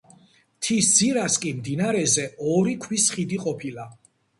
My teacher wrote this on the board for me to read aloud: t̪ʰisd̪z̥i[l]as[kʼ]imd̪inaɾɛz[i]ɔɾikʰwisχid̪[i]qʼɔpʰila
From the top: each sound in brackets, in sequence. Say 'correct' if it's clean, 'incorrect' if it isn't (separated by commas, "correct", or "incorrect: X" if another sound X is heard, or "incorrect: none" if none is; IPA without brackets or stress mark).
incorrect: ɾ, correct, incorrect: ɛ, correct